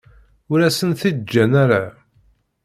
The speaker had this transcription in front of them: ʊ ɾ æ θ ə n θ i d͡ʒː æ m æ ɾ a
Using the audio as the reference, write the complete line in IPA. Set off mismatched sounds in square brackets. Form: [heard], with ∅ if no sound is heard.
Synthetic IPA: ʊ ɾ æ [s] ə n θ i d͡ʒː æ [n] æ ɾ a